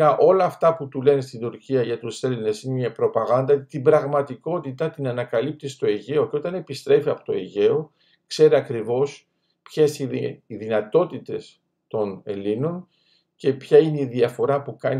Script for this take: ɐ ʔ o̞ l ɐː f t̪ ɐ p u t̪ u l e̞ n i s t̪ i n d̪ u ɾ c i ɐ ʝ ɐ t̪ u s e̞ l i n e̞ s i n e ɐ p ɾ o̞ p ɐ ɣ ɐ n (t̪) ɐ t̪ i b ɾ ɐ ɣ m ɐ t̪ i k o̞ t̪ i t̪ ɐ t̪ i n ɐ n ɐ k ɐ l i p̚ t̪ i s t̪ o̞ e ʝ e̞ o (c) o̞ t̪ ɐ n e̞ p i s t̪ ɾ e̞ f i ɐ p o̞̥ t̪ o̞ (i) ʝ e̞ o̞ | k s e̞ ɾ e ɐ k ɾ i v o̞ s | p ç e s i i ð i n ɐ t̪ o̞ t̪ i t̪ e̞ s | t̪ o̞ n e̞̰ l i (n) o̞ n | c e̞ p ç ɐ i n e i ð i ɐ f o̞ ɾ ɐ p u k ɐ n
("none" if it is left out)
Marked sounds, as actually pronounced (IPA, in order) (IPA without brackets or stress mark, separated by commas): d̪, c, e, n